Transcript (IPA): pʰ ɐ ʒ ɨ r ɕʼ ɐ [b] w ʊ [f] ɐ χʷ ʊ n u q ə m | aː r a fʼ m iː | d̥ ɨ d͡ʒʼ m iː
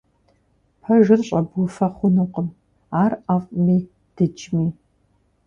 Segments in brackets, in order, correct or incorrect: correct, correct

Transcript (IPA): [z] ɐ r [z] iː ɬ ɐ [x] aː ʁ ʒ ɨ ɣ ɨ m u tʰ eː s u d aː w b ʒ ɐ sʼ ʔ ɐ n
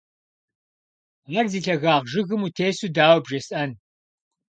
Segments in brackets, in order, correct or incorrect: incorrect: ʁ, correct, incorrect: ɣ

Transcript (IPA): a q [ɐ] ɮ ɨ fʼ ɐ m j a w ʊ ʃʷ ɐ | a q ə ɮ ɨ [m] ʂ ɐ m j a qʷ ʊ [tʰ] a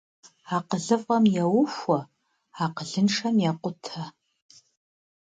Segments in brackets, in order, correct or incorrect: incorrect: ə, incorrect: n, correct

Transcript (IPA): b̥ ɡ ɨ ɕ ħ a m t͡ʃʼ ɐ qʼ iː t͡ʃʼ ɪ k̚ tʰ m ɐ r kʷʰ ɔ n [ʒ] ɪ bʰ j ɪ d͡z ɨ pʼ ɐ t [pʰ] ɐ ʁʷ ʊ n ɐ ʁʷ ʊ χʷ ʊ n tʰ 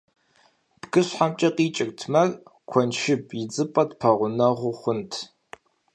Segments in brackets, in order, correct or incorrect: incorrect: ʃ, correct

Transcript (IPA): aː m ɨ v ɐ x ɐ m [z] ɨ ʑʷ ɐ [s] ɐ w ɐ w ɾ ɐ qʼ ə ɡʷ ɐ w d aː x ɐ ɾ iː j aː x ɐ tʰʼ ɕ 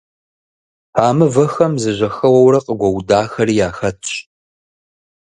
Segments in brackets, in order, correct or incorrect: correct, incorrect: x

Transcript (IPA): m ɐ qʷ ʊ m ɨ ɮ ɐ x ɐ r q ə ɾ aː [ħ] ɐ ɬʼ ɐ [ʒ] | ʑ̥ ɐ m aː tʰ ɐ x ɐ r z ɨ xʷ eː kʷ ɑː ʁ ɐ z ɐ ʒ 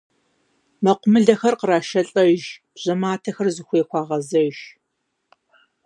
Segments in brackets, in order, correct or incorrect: incorrect: ʃ, correct

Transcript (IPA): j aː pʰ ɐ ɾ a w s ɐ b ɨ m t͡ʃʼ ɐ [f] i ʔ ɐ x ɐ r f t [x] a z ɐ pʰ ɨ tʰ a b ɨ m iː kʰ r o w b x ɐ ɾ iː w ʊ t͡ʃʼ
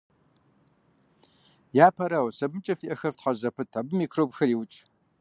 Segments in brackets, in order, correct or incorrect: correct, incorrect: ħ

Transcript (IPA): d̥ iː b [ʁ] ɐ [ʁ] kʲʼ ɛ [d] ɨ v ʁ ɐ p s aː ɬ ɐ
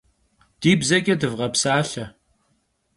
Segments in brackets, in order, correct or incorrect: incorrect: z, incorrect: none, correct

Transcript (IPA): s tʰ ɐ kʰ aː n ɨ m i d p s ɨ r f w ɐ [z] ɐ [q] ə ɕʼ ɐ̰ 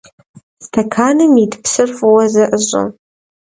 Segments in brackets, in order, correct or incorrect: correct, incorrect: ʔ

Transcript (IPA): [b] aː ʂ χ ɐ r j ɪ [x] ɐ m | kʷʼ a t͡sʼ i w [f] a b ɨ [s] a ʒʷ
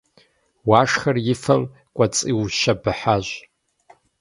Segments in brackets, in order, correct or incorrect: incorrect: w, incorrect: f, incorrect: ʃ, incorrect: ħ

